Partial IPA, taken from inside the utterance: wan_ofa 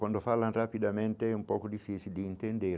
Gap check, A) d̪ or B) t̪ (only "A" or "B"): A